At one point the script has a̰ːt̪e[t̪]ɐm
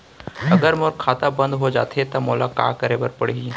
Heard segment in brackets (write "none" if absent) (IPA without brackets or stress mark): t̪